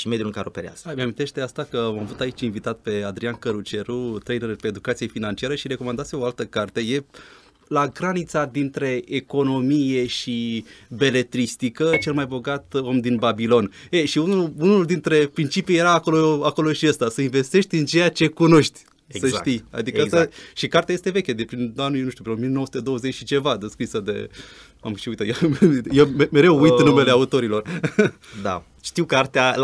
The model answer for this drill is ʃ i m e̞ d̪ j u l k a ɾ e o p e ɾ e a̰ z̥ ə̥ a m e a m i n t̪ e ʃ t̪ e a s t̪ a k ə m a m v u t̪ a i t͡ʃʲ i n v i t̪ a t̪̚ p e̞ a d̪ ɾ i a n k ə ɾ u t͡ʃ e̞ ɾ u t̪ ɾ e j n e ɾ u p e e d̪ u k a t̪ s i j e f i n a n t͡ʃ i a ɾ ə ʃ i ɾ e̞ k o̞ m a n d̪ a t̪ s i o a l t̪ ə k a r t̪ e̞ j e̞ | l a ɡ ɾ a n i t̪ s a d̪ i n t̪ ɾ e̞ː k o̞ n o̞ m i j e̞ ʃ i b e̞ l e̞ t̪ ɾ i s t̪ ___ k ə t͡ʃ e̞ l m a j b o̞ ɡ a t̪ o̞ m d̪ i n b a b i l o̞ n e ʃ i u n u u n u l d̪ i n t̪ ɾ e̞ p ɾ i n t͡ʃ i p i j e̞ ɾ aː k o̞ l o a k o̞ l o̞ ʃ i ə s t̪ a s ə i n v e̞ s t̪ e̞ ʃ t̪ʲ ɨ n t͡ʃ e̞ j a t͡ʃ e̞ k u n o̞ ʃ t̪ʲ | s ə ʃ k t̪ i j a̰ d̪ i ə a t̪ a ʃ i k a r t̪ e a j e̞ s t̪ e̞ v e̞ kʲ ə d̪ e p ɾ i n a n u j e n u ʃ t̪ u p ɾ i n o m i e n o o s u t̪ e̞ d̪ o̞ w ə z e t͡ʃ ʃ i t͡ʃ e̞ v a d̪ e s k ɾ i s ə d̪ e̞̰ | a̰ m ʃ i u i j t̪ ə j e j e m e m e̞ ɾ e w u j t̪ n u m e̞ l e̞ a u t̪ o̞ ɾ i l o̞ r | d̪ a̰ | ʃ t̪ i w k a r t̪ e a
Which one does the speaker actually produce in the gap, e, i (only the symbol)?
i